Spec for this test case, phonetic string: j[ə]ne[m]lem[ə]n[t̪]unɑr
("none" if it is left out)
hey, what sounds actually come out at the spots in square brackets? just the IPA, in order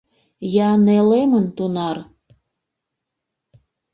ɑ, none, ə, t̪

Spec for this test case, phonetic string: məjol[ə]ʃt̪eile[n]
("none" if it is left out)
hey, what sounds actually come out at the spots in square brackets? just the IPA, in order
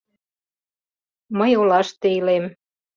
ɑ, m

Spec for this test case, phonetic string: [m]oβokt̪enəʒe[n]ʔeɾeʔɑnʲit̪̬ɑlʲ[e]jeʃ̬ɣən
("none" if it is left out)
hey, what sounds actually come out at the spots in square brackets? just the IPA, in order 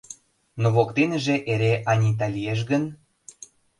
n, none, i

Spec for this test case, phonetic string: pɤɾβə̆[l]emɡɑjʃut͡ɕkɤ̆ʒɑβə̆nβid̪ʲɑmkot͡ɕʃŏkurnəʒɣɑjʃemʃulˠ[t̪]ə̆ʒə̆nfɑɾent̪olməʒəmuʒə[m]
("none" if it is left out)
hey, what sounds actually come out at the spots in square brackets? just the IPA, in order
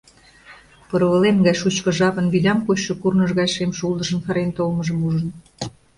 l, d̪, n

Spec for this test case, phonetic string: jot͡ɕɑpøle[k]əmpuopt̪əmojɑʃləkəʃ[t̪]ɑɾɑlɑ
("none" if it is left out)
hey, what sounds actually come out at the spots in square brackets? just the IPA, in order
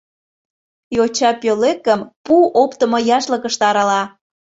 k, t̪

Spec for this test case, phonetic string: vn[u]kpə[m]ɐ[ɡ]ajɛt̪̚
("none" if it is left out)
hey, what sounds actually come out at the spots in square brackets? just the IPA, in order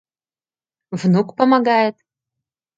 u, m, ɡ

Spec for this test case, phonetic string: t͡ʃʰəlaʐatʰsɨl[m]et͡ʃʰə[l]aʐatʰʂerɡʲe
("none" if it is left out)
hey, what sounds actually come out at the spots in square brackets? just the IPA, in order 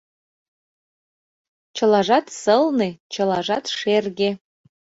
n, l

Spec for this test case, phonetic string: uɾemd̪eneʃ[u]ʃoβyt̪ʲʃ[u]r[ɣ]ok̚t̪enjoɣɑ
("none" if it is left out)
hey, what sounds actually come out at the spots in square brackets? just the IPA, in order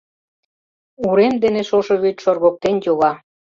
o, o, ɣ

